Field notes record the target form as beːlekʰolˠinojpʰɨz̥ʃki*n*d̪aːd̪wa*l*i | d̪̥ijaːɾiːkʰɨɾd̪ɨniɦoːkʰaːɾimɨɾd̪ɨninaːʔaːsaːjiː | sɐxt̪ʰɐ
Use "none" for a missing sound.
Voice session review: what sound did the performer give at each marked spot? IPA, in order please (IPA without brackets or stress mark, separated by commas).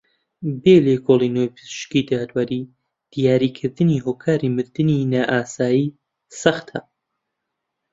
none, ɾ